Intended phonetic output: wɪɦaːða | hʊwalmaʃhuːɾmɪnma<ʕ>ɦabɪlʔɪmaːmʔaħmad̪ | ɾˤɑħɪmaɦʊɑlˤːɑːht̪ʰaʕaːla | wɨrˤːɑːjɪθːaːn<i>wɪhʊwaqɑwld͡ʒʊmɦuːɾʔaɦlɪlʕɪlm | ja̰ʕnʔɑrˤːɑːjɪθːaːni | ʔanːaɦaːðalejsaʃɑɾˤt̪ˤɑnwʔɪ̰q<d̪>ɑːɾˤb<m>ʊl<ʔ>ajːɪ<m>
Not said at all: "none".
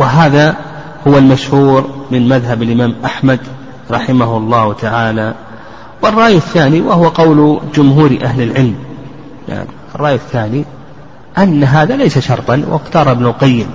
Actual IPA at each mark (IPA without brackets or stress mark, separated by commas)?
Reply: ð, i, t̪, n, q, m